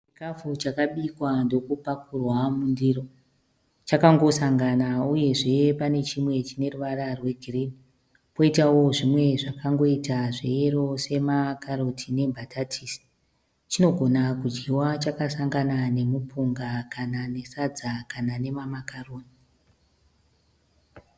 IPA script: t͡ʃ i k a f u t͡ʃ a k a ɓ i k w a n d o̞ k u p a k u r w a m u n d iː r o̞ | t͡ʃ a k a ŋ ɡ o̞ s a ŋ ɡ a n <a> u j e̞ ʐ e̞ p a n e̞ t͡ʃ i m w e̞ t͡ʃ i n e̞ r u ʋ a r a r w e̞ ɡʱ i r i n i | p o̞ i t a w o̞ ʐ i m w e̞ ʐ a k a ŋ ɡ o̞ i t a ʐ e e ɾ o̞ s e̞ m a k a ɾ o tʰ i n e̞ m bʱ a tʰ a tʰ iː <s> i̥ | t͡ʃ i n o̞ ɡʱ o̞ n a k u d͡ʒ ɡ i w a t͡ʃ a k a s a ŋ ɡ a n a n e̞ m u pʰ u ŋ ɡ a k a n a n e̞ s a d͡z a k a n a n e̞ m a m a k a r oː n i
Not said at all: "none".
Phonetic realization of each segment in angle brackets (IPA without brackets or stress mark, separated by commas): a, s